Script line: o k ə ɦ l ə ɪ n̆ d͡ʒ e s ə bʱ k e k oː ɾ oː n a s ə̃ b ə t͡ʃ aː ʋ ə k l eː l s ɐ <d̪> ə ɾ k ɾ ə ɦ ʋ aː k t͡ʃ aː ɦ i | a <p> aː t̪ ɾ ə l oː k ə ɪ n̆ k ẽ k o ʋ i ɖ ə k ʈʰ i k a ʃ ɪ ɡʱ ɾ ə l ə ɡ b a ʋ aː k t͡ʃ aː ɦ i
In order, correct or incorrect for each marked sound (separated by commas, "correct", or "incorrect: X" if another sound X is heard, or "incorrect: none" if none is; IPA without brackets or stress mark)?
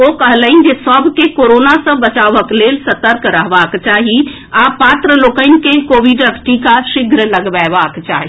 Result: incorrect: t̪, correct